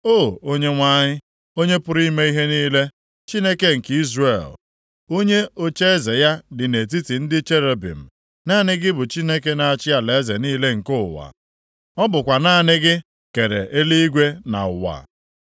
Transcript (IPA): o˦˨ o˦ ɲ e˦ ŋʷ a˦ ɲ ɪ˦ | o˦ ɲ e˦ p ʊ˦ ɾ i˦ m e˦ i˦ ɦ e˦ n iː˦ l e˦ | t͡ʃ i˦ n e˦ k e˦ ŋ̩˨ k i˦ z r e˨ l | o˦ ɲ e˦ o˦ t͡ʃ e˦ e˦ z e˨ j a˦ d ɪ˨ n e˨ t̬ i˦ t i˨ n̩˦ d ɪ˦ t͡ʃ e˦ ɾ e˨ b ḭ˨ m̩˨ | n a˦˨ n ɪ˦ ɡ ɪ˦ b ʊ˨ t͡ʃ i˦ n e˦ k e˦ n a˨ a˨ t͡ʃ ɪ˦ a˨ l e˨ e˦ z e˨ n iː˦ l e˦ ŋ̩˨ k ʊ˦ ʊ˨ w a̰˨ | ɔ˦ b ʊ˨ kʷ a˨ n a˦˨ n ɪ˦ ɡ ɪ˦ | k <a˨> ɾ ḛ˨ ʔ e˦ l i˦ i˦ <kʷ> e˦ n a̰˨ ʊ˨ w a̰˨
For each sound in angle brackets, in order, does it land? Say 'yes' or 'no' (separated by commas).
no, no